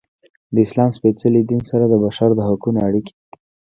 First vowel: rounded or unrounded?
unrounded